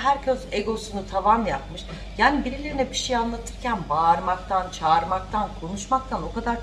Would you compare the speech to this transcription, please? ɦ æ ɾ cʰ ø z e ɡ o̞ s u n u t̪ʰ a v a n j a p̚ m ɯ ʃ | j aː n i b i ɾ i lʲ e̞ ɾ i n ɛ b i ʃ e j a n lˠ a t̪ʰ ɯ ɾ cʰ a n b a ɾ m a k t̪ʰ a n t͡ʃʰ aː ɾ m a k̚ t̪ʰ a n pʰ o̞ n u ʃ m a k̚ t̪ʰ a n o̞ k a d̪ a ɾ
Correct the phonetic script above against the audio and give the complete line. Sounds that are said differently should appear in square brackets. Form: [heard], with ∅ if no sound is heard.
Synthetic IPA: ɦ æ ɾ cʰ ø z e ɡ o̞ s u n u t̪ʰ a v a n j a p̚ m ɯ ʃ | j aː n i b i ɾ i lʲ e̞ ɾ i n ɛ b i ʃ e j a n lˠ a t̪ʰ ɯ ɾ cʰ [æ] n b a ɾ m a k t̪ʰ a n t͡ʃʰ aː ɾ m a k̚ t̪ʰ a n [kʰ] o̞ n u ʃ m a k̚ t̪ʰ a n o̞ k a d̪ a ɾ